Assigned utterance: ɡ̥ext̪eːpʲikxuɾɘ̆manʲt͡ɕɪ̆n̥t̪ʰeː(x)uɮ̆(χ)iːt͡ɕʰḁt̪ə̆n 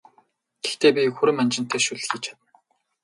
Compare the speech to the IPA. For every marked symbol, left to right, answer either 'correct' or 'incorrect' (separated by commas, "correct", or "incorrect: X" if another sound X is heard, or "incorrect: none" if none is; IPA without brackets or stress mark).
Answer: incorrect: ʃ, incorrect: x